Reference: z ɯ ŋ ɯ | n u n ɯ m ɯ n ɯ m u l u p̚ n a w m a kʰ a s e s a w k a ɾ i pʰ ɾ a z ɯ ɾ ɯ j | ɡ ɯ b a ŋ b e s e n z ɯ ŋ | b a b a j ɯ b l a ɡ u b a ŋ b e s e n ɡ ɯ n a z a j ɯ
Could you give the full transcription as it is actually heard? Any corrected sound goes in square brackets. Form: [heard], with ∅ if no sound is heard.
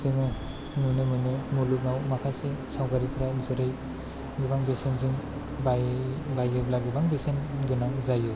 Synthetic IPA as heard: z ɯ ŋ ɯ | n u n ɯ m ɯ n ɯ m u l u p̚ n a w m a kʰ a s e s a w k a ɾ i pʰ ɾ a z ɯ ɾ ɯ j | ɡ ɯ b a ŋ b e s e n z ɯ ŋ | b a b a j ɯ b l a ɡ [ɯ] b a ŋ b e s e n ɡ ɯ n a z a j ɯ

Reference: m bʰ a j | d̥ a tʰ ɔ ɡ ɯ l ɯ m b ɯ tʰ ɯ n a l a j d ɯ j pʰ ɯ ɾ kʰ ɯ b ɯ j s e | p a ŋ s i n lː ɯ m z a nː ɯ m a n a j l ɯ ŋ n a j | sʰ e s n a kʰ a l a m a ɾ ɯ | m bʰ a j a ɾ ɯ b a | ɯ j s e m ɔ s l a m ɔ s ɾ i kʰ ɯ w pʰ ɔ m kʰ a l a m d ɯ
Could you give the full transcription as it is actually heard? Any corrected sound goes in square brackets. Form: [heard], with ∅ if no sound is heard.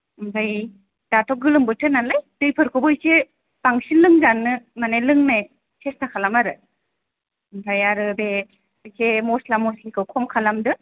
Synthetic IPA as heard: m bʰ a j | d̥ a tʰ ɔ ɡ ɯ l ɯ m b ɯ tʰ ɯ n a l a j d ɯ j pʰ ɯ ɾ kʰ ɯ b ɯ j s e | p a ŋ s i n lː ɯ [ŋ] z a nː ɯ m a n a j l ɯ ŋ n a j | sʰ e s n a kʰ a l a m a ɾ ɯ | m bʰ a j a ɾ ɯ b [e] | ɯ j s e m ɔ s l a m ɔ s [l] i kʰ ɯ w [kʰ] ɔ m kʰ a l a m d ɯ

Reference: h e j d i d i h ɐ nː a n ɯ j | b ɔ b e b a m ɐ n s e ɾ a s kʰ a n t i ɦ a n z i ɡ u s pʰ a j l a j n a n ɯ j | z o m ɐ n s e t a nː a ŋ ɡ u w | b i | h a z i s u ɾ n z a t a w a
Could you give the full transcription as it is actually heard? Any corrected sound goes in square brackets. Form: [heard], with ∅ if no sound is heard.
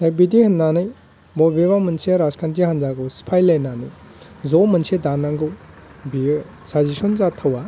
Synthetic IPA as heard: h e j [b] i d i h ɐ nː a n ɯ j | b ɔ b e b a m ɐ n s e ɾ a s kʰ a n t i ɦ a n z [a] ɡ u s pʰ a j l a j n a n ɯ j | z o m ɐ n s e [d] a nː a ŋ ɡ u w | b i | [s] a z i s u [∅] n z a [tʰ] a w a

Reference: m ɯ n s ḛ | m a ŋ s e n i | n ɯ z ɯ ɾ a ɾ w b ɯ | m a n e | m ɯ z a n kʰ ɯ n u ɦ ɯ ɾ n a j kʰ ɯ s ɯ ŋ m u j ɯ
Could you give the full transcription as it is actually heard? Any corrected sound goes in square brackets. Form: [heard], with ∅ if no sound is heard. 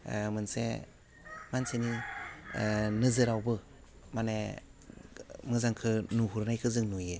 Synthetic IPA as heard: m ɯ n s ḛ | m a [n] s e n i | n ɯ z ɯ ɾ a [∅] w b ɯ | m a n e | m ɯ z a [ŋ] kʰ ɯ n u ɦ [u] ɾ n a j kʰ ɯ [z] ɯ ŋ [n] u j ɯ

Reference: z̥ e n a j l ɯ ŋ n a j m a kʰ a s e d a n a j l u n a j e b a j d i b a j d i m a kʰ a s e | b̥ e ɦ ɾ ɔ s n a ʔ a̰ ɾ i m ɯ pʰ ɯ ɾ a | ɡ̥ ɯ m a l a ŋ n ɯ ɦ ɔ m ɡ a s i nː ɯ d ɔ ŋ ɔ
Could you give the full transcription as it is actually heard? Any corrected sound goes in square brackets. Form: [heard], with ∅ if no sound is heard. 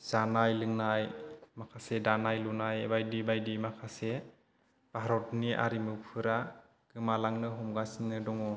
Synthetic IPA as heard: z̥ [a] n a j l ɯ ŋ n a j m a kʰ a s e d a n a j l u n a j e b a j d i b a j d i m a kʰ a s e | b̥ [a] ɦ ɾ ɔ [t] n [i] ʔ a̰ ɾ i m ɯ pʰ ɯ ɾ a | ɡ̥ ɯ m a l a ŋ n ɯ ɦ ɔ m ɡ a s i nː ɯ d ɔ ŋ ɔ

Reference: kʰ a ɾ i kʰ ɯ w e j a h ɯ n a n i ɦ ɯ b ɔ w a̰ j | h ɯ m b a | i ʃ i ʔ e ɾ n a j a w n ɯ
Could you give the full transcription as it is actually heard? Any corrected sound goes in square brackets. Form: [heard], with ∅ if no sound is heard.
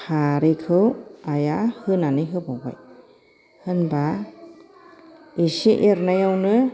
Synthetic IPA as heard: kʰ a ɾ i kʰ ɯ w [a] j a h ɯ n a n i ɦ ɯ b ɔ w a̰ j | h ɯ [n] b a | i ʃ i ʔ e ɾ n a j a w n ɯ

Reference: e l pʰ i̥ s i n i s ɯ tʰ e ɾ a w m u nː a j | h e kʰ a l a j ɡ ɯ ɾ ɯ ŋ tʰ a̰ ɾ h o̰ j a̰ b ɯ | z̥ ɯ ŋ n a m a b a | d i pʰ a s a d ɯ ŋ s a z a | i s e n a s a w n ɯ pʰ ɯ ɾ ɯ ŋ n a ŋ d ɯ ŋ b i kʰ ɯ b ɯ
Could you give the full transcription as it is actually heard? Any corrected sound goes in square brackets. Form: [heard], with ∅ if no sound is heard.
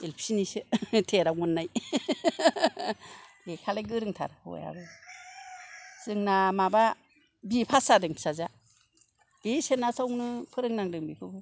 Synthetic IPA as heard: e l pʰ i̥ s i n i s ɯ tʰ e ɾ a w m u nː a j | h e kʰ a l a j ɡ ɯ ɾ ɯ ŋ tʰ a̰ ɾ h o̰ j a̰ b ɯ | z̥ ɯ ŋ n a m a b a | [b] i pʰ a s a d ɯ ŋ s a z a | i s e n a s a w n ɯ pʰ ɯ ɾ ɯ ŋ n a ŋ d ɯ ŋ b i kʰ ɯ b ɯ

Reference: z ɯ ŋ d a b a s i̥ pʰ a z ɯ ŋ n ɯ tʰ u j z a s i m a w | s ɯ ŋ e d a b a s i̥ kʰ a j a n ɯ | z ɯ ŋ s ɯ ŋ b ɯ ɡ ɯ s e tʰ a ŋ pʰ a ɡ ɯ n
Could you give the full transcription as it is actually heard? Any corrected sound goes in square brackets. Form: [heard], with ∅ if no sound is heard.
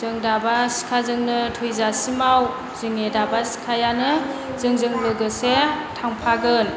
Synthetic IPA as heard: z ɯ ŋ d a b a s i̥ [kʰ] a z ɯ ŋ n ɯ tʰ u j z a s i m a w | [z] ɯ ŋ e d a b a s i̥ kʰ a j a n ɯ | z ɯ ŋ [z] ɯ ŋ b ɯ ɡ ɯ s e tʰ a ŋ pʰ a ɡ ɯ n

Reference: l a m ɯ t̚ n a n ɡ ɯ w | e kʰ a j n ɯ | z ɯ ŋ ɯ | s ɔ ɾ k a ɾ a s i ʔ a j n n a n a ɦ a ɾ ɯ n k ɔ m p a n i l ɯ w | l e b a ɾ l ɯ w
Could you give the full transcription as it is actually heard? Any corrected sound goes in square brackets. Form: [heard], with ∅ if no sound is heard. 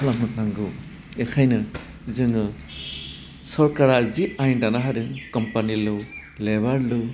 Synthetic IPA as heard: l a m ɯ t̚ n a [ŋ] ɡ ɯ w | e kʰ a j n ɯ | z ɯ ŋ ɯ | s ɔ ɾ k a ɾ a [z] i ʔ a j n [d] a n a ɦ a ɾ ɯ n k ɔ m p a n i l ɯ w | l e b a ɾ l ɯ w

